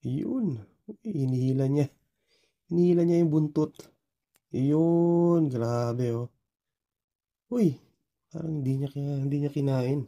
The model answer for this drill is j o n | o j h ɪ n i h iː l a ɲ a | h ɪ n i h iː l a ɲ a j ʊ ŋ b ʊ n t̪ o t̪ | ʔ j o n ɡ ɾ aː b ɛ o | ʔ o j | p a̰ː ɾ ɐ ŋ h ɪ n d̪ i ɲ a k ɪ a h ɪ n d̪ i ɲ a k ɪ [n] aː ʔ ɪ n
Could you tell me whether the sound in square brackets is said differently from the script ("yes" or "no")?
no